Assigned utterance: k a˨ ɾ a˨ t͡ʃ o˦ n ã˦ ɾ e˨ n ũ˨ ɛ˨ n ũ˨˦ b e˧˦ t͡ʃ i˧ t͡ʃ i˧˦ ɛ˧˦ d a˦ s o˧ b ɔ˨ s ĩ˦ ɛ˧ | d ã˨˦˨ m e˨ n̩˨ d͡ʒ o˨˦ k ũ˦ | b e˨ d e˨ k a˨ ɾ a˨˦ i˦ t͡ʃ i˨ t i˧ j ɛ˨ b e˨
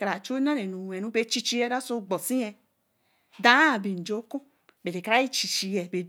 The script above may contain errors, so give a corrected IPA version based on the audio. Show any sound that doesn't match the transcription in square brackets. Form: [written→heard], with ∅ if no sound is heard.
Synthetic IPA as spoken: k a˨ ɾ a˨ t͡ʃ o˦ n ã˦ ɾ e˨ n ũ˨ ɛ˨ n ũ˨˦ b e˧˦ t͡ʃ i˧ t͡ʃ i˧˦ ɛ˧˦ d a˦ s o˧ [b→ɡ͡b] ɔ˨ s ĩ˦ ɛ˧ | d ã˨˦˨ [m→b] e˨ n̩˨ d͡ʒ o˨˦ k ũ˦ | b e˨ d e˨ k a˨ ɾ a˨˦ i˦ t͡ʃ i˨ [t→t͡ʃ] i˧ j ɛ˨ b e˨